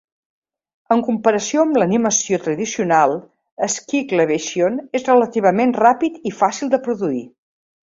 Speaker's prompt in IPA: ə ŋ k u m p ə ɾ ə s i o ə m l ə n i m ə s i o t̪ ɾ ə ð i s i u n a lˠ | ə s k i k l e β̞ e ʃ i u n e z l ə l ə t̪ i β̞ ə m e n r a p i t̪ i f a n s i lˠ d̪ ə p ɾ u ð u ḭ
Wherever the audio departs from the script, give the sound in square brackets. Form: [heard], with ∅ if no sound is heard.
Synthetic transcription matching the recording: ə ŋ k u m p ə ɾ ə s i o ə m l ə n i m ə s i o t̪ ɾ ə ð i s i u n a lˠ | ə s k i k l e β̞ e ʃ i [o] n e z [r] ə l ə t̪ i β̞ ə m e n r a p i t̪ i f a [∅] s i lˠ d̪ ə p ɾ u ð u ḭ